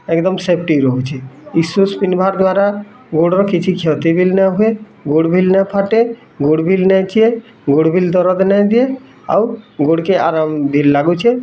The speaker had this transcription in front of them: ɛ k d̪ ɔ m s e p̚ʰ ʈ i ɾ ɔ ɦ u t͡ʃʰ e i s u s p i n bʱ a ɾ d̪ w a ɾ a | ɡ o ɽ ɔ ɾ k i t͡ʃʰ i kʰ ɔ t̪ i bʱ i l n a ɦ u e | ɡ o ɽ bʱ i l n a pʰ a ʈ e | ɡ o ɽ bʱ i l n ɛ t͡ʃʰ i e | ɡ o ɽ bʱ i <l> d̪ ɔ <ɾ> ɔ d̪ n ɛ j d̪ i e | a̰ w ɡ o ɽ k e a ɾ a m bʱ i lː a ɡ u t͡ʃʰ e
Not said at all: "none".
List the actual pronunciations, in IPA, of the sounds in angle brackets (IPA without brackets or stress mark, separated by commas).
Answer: l, ɾ